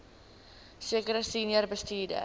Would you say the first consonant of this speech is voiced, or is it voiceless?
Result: voiceless